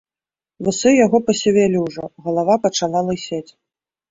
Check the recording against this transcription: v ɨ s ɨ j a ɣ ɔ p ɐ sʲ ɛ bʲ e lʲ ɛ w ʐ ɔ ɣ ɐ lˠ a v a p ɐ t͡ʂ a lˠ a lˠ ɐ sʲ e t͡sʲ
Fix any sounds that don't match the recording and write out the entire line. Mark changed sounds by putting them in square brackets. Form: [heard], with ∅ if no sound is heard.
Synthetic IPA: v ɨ s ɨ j a ɣ ɔ p ɐ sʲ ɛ [vʲ] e lʲ [i] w ʐ ɔ ɣ ɐ lˠ a v a p ɐ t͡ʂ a lˠ a lˠ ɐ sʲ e t͡sʲ